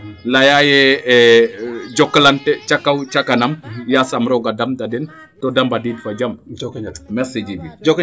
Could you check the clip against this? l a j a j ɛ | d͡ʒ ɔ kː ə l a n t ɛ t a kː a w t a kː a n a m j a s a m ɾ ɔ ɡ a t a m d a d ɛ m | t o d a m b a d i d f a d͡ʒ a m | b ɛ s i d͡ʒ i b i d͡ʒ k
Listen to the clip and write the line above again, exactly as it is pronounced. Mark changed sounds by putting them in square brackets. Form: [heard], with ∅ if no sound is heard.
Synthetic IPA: l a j a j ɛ | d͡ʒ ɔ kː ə l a n t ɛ [t͡ʃ] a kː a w [t͡ʃ] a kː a n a m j a s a m ɾ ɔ ɡ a [d] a m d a d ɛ [n] | t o d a m b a d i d f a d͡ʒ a m | [m] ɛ s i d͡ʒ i b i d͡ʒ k